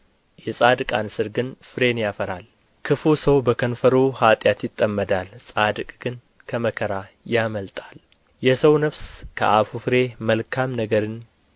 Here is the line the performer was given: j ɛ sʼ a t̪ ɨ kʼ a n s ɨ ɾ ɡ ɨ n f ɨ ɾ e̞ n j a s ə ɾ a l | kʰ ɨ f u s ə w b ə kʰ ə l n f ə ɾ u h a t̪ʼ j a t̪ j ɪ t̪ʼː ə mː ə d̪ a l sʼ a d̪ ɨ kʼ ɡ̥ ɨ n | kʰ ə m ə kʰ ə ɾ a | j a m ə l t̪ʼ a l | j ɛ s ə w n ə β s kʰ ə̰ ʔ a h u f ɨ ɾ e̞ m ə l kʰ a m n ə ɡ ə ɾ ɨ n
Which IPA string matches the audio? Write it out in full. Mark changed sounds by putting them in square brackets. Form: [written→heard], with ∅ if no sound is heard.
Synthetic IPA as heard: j ɛ sʼ a [t̪→d̪] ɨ kʼ a n s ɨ ɾ ɡ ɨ n f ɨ ɾ e̞ n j a [s→f] ə ɾ a l | kʰ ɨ f u s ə w b ə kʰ ə [l→∅] n f ə ɾ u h a t̪ʼ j a t̪ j ɪ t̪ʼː ə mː ə d̪ a l sʼ a d̪ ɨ kʼ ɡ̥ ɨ n | kʰ ə m ə kʰ ə ɾ a | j a m ə l t̪ʼ a l | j ɛ s ə w n ə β s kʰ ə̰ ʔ a [h→f] u f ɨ ɾ e̞ m ə l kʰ a m n ə ɡ ə ɾ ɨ n